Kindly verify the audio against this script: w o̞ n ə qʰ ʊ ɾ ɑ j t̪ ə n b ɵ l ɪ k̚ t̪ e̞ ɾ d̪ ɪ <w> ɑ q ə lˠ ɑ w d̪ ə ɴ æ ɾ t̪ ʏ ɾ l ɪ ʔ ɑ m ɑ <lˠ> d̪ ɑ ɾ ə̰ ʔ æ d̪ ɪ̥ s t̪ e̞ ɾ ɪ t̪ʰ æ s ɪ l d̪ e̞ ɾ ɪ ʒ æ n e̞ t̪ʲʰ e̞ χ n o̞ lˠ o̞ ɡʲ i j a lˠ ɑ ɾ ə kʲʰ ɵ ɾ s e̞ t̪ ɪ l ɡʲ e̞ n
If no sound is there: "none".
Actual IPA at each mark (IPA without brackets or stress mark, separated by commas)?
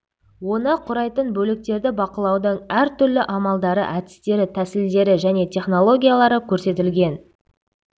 b, lˠ